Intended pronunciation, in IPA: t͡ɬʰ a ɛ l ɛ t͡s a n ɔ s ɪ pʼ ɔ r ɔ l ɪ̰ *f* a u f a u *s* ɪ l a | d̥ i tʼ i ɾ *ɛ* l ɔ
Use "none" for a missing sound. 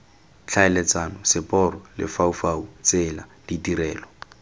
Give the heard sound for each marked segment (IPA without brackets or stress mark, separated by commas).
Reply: f, t͡s, ɛː